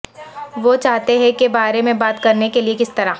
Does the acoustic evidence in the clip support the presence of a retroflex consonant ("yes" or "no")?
no